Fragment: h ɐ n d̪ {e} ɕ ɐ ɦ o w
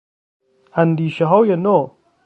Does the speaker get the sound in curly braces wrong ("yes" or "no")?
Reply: yes